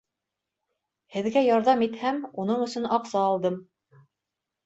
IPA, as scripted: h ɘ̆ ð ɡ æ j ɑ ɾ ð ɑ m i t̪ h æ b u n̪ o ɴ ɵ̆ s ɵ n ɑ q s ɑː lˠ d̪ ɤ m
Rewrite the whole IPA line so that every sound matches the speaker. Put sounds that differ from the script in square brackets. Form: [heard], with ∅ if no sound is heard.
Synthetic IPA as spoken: h ɘ̆ ð ɡ æ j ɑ ɾ ð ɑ m i t̪ h æ [m] u n̪ [ɤ] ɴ ɵ̆ s ɵ n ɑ q s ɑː lˠ d̪ ɤ m